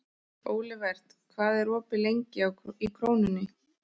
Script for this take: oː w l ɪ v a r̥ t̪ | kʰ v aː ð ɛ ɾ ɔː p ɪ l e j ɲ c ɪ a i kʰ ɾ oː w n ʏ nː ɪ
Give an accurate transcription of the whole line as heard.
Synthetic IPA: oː w l ɪ v ɛ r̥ t̪ | kʰ v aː ð ɛ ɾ ɔː p ɪ l e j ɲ c ɪ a i kʰ ɾ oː w n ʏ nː ɪ